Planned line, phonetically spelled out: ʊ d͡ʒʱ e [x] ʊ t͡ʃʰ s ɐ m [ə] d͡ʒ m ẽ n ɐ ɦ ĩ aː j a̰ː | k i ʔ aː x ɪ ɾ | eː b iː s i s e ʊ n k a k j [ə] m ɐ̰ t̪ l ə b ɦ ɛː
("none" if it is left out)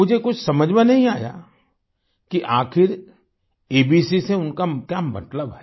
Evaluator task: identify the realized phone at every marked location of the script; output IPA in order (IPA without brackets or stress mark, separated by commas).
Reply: k, ə, a